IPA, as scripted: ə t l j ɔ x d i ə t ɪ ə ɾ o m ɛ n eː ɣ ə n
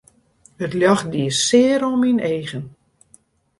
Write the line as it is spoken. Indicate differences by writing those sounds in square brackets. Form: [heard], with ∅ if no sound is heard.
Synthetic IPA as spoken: ə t l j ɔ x d i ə [s] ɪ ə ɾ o m [i] n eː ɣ ə n